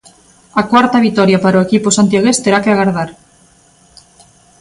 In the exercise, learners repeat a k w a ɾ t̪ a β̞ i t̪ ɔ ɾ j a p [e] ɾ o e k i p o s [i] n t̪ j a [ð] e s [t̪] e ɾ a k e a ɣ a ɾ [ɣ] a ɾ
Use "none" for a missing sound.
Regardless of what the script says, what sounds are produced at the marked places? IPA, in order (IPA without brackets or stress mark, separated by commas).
a, a, ɣ, t̪, ð